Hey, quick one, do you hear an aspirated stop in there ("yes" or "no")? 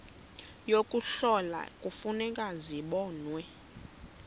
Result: no